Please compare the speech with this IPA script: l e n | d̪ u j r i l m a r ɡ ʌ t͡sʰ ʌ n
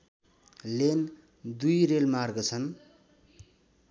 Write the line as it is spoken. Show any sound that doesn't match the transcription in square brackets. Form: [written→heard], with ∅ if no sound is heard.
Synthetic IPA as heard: l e n | d̪ u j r [i→e] l m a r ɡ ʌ t͡sʰ ʌ n